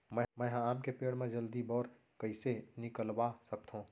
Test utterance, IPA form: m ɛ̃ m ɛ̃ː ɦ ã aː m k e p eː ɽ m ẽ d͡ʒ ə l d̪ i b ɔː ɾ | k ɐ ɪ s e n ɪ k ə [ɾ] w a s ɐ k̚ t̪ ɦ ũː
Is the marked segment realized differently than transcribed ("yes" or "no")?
yes